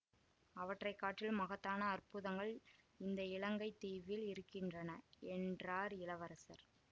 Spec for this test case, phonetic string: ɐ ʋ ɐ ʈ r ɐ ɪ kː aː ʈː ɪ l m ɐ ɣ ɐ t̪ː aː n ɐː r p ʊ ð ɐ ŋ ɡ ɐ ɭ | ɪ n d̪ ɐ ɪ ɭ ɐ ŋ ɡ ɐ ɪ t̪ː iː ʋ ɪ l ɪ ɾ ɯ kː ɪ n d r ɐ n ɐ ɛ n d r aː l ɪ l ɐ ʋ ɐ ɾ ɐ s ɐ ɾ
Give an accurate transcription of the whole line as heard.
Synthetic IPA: ɐ ʋ ɐ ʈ r ɐ ɪ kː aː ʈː ɪ l m ɐ ɣ ɐ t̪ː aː n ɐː r p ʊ ð ɐ ŋ ɡ ɐ ɭ | ɪ n d̪ ɐ ɪ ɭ ɐ ŋ ɡ ɐ ɪ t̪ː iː ʋ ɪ l ɪ ɾ ɯ kː ɪ n d r ɐ n ɐ ɛ n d r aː ɾ ɪ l ɐ ʋ ɐ ɾ ɐ s ɐ ɾ